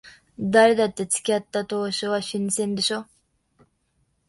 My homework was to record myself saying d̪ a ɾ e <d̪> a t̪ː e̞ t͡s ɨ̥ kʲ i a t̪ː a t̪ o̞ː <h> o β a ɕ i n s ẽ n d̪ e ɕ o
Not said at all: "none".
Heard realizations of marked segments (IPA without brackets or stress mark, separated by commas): d̪, ɕ